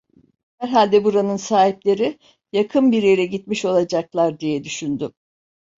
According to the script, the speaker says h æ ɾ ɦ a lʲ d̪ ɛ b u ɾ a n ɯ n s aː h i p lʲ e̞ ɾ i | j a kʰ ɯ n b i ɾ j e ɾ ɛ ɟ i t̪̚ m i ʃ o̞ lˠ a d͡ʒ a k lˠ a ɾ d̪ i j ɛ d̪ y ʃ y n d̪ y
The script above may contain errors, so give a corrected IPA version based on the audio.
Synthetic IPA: h æ ɾ ɦ a lʲ d̪ ɛ b u ɾ a n ɯ n s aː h i p lʲ e̞ ɾ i | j a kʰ ɯ n b i ɾ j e ɾ ɛ ɟ i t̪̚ m i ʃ o̞ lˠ a d͡ʒ a k lˠ a ɾ d̪ i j ɛ d̪ y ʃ y n d̪ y